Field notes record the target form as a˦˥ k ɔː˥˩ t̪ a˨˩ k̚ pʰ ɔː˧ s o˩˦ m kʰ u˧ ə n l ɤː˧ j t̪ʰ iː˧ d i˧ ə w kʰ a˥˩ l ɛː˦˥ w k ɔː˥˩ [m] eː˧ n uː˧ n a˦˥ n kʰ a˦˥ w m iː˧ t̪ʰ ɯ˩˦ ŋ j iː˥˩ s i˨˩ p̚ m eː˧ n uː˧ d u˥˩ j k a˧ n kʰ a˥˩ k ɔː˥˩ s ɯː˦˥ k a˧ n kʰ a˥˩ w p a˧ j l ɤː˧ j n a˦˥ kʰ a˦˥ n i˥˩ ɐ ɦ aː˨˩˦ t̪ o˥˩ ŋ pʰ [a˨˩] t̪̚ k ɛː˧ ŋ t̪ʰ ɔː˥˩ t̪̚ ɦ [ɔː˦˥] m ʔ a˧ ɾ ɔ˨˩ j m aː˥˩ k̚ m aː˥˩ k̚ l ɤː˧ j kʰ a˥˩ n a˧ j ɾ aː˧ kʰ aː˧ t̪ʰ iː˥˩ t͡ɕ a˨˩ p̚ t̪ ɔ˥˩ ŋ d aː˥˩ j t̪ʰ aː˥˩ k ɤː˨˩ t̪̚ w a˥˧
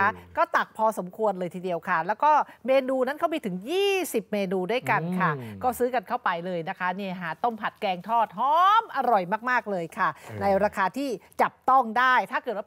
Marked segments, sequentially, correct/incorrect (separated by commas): correct, correct, correct